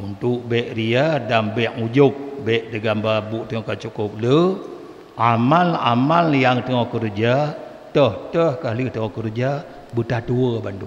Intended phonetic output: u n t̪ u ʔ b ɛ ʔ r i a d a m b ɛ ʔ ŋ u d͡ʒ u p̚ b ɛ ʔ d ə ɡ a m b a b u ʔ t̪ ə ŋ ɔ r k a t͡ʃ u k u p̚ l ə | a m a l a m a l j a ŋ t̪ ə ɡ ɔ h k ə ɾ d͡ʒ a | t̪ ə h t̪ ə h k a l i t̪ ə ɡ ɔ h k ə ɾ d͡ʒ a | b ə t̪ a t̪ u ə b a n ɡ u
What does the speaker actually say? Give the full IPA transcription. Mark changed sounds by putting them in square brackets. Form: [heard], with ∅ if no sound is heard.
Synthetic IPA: u n t̪ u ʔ b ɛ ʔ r i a d a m b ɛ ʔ ŋ u d͡ʒ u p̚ b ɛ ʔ d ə ɡ a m b a b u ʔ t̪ ə ŋ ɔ [∅] k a t͡ʃ u k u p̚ l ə | a m a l a m a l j a ŋ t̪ ə [ŋ] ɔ h k ə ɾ d͡ʒ a | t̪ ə h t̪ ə h k a l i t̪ ə [ŋ] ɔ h k ə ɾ d͡ʒ a | b ə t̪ a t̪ u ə b a n [d] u